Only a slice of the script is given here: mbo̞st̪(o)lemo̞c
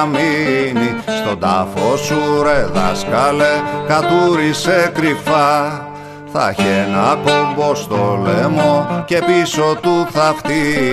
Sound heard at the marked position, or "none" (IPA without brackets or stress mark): o